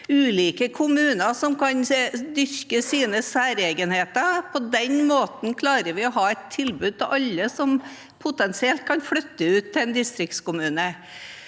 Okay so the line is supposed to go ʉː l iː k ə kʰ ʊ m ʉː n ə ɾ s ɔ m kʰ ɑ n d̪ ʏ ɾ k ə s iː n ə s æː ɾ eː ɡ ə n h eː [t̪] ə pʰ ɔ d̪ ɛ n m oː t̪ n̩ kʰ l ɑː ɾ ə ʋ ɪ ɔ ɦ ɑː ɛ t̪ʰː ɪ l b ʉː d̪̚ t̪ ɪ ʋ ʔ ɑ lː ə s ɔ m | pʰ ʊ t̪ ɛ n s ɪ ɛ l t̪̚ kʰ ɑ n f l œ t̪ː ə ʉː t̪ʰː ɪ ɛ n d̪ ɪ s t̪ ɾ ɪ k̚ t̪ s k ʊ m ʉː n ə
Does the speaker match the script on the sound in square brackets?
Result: yes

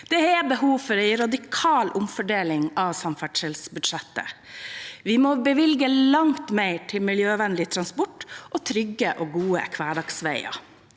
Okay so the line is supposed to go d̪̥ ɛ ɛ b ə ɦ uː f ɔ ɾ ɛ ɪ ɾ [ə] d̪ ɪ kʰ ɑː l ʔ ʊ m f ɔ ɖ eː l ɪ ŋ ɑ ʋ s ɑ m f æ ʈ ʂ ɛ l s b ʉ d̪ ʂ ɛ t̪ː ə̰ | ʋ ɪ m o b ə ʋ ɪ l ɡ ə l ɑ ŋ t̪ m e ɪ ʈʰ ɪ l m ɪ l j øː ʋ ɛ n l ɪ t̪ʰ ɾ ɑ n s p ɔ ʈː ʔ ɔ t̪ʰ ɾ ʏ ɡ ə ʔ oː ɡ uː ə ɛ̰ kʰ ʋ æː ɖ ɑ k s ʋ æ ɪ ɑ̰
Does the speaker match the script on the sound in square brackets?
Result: no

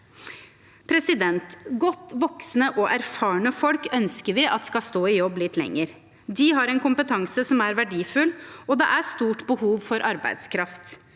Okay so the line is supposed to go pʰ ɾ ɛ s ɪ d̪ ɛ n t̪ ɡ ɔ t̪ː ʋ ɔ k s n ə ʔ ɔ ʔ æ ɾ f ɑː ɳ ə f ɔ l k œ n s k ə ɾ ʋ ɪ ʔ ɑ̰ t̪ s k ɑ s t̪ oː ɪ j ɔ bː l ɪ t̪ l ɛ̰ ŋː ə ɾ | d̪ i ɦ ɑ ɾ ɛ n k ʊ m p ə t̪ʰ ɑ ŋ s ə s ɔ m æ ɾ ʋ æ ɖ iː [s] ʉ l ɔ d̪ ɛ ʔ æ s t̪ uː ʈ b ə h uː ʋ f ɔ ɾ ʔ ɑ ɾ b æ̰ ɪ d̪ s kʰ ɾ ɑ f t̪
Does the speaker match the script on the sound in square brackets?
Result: no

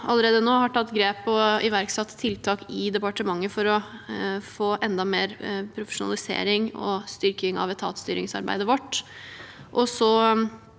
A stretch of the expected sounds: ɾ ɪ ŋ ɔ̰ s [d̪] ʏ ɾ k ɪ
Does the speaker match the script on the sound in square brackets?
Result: no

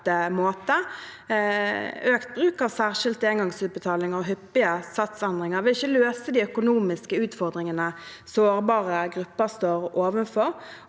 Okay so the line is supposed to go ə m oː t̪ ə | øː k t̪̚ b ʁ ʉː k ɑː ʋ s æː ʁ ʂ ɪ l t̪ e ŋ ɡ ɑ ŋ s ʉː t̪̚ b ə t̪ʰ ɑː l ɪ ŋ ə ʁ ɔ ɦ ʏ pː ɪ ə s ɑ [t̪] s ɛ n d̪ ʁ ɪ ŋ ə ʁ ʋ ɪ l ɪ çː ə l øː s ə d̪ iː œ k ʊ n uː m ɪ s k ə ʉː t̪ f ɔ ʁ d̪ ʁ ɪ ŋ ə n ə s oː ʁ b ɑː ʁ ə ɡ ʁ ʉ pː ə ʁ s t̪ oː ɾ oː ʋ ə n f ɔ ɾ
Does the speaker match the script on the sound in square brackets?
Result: yes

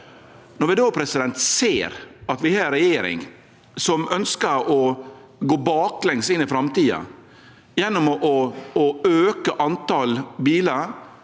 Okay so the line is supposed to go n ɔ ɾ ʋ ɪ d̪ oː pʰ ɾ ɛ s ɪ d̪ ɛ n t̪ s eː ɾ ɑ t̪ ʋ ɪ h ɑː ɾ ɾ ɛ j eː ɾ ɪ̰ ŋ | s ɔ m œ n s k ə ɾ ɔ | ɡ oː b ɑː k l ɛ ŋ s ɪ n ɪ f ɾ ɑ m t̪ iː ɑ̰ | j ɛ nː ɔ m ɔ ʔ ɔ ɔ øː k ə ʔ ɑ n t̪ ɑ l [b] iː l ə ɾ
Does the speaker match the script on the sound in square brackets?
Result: yes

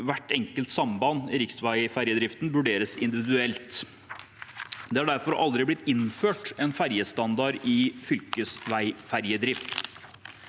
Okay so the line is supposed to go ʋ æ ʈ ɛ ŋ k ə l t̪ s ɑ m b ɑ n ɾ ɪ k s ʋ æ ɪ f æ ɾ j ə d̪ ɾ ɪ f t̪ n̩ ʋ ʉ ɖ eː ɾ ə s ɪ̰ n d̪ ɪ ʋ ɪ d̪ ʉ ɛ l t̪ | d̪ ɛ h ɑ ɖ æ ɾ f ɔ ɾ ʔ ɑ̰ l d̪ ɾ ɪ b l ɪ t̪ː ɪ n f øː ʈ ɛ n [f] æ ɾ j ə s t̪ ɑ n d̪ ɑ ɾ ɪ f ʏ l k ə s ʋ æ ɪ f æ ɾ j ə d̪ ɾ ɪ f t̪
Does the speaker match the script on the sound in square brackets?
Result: yes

